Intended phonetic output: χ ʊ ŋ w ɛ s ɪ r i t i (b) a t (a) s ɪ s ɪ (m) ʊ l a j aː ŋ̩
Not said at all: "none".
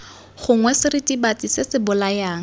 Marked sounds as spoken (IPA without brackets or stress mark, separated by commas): b, i, b